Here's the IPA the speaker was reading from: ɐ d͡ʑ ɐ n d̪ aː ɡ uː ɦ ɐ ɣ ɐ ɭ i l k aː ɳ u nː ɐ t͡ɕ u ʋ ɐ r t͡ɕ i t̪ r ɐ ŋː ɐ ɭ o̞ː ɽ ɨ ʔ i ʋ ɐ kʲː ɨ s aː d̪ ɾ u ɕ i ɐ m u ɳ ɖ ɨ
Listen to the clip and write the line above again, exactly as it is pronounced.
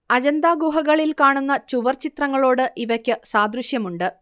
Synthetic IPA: ɐ d͡ʑ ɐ n d̪ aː ɡ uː ɦ ɐ ɣ ɐ ɭ i l k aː ɳ u nː ɐ t͡ɕ u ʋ ɐ r t͡ɕ i t̪ r ɐ ŋː ɐ ɭ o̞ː ɽ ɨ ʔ i ʋ ɐ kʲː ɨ s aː d̪ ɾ u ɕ j ɐ m u ɳ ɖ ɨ